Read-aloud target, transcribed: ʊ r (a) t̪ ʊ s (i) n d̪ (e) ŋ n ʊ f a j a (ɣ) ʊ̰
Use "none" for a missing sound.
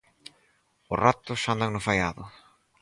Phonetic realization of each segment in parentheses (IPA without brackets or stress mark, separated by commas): a, a, a, ð